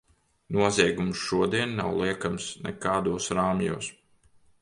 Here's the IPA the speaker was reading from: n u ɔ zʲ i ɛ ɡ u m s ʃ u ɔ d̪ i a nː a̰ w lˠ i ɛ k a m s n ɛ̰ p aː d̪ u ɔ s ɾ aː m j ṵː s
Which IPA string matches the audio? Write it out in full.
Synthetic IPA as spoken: n u ɔ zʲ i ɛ ɡ u m s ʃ u ɔ d̪ i ɛ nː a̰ w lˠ i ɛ k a m s n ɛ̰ k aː d̪ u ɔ s ɾ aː m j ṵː s